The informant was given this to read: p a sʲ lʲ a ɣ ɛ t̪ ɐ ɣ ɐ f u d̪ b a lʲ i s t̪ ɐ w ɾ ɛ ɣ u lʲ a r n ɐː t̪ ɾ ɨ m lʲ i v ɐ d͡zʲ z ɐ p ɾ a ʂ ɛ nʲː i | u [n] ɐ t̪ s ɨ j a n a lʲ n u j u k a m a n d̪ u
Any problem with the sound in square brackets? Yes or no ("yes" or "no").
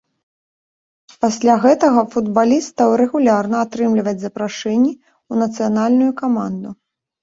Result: no